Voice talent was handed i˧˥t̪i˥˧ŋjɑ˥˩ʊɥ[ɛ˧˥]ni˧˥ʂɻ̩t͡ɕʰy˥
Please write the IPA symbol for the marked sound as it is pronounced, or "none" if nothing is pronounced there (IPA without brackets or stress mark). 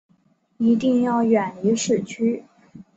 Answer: ɛ˨˩